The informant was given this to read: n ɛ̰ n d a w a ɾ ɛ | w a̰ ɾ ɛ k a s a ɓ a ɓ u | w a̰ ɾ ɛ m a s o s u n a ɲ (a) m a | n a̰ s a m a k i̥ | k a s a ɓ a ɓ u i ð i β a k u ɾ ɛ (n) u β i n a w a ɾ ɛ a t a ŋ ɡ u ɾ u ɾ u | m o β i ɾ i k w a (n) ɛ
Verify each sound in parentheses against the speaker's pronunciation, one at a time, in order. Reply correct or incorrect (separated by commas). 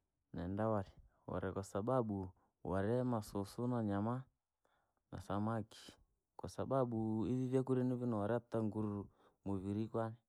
correct, correct, correct